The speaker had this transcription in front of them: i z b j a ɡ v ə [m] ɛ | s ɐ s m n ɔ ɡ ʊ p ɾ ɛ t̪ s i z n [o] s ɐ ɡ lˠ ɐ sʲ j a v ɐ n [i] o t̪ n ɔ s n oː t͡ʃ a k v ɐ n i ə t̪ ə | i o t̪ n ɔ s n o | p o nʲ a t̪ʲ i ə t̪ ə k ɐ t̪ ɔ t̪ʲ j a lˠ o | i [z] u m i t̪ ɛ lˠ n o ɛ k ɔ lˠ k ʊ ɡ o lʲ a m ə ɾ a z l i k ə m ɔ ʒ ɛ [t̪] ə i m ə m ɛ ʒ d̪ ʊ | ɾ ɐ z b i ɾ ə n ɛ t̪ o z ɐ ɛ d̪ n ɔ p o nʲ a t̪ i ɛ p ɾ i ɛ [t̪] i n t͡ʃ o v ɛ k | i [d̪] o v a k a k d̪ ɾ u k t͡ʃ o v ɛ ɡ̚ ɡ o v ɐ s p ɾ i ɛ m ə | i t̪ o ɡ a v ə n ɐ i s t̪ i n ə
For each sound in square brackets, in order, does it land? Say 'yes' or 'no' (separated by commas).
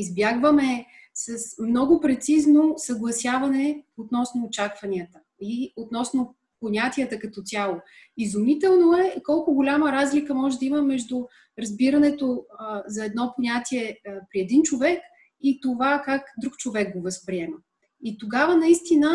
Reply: yes, yes, no, yes, no, no, no